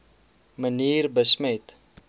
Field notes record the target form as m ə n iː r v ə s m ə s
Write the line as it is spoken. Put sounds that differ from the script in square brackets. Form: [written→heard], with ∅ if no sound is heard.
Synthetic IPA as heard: m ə n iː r [v→b] ə s m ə [s→t]